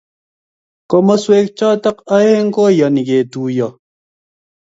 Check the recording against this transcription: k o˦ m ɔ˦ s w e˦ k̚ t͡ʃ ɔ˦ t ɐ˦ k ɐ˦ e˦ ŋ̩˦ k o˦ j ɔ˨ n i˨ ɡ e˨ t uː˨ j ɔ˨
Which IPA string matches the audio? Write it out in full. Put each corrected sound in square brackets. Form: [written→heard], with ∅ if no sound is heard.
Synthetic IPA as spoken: k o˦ m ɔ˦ s w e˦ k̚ t͡ʃ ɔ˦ t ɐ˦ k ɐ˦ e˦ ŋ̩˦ k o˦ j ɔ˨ n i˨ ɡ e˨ t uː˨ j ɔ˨